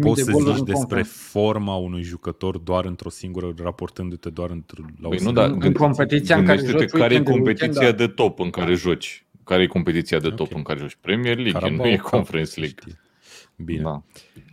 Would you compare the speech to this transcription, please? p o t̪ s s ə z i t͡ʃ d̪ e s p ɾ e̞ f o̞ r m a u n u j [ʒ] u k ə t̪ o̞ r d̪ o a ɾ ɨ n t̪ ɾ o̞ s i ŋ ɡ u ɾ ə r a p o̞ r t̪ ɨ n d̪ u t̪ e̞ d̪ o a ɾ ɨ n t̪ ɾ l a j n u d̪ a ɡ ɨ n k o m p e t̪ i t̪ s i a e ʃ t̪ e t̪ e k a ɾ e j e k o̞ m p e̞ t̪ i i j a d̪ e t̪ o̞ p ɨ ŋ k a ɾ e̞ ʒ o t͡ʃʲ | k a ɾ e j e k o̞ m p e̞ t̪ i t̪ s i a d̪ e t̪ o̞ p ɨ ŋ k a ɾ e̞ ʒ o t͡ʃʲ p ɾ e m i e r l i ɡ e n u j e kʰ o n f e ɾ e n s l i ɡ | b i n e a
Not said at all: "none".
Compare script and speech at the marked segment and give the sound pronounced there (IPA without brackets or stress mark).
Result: ʒ